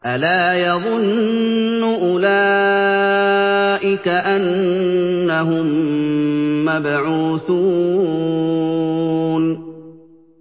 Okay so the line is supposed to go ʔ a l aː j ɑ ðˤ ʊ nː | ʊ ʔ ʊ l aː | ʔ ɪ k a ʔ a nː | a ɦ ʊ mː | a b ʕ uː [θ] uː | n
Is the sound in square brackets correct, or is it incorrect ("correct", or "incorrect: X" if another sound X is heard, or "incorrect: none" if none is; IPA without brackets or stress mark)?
correct